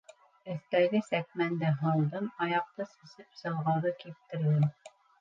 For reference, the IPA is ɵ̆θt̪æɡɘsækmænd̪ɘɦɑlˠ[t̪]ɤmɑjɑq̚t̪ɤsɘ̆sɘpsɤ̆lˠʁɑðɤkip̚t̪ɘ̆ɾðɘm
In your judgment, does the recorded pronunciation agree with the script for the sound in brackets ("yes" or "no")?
no